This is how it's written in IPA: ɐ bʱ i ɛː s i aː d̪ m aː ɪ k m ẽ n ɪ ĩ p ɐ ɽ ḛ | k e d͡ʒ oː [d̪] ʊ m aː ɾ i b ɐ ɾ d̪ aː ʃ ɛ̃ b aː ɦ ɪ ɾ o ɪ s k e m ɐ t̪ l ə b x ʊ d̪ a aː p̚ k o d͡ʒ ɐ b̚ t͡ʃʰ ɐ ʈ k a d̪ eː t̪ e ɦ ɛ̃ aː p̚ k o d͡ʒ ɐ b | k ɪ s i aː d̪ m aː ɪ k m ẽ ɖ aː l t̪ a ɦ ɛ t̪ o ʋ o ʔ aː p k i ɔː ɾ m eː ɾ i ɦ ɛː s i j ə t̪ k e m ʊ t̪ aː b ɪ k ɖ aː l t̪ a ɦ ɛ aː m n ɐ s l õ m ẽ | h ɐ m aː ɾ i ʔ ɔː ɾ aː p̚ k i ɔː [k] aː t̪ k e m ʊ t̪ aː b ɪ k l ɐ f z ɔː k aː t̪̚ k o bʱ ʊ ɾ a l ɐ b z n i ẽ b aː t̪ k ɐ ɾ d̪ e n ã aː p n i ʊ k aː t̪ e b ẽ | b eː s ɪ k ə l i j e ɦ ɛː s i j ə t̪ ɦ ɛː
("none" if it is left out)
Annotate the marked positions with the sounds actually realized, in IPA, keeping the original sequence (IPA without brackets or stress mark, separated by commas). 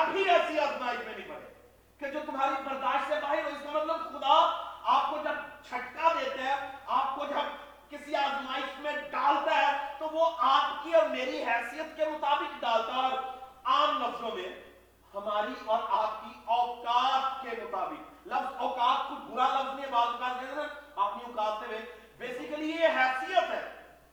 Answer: t̪, k